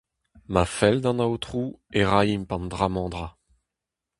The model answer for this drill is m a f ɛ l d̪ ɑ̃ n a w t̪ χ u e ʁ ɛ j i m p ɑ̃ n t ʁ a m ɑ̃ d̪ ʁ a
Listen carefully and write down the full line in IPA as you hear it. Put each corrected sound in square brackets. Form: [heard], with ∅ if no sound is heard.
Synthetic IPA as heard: m a f ɛ l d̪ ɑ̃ n a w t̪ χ u e ʁ [a] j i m p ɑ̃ n [d] ʁ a m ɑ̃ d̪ ʁ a